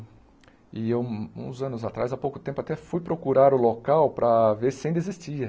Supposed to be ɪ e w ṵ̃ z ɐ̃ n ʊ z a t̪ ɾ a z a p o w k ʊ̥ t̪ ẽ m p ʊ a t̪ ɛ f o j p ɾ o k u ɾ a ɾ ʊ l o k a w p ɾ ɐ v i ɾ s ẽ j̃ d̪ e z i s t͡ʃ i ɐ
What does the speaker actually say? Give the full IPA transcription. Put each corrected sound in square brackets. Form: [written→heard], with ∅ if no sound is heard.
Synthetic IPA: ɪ e w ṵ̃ z ɐ̃ n ʊ z a t̪ ɾ a z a p o w k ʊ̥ t̪ ẽ m p ʊ a t̪ ɛ f [o→u] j p ɾ o k u ɾ a ɾ ʊ l o k a w p ɾ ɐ v [i→e] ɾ s ẽ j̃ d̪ e z i s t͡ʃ i ɐ